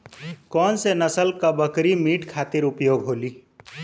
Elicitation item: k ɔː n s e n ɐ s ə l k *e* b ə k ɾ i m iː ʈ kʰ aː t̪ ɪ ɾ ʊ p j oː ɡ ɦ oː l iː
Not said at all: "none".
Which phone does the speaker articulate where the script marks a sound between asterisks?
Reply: a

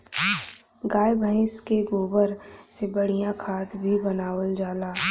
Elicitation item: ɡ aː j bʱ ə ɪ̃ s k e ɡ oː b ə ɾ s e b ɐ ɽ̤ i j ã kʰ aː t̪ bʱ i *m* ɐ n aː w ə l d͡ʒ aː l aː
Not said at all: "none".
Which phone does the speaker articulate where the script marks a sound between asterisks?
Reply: b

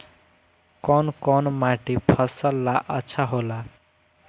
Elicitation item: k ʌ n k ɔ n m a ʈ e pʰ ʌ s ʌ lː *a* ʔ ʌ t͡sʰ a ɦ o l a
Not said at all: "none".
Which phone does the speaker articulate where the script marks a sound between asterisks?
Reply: a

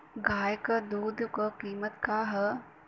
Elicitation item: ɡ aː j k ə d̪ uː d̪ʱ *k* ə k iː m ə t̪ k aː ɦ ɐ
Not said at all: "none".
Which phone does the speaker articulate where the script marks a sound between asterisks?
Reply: k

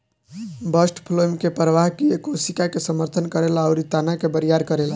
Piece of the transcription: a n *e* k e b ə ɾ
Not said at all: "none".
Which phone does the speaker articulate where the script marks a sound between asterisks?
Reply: a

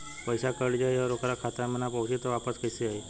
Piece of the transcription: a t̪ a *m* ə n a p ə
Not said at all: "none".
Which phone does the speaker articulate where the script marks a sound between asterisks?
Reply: m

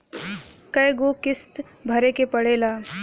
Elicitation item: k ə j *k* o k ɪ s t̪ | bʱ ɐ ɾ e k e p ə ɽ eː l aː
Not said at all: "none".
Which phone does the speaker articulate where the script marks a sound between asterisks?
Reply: ɡ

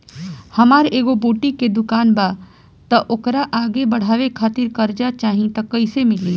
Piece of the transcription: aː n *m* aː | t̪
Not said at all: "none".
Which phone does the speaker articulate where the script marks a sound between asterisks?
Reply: b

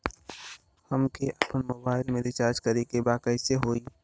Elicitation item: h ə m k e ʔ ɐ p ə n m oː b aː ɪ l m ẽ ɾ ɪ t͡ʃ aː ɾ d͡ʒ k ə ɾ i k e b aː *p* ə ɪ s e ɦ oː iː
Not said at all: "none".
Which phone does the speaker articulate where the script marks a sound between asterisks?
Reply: k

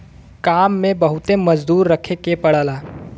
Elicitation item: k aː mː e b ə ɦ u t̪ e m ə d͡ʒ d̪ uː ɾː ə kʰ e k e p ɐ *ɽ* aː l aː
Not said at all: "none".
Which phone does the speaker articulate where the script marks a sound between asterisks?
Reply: ɽ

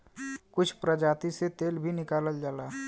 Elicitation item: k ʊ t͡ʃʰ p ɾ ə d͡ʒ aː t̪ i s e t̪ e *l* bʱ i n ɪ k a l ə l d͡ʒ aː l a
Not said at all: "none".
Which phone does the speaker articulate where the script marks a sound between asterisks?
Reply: l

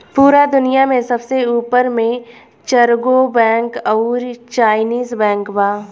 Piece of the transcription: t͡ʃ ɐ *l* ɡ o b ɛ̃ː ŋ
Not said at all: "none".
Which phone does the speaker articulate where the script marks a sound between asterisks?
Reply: ɾ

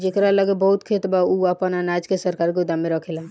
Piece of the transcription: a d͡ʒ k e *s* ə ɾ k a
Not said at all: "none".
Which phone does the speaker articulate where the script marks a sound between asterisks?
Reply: s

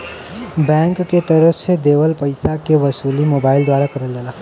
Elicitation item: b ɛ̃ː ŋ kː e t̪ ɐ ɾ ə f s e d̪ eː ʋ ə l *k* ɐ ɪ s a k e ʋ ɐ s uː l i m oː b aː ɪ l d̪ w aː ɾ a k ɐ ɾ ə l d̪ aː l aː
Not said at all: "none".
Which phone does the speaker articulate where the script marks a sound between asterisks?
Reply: p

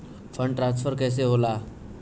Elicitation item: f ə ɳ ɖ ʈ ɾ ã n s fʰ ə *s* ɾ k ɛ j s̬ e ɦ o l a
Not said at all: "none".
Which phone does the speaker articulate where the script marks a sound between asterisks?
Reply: none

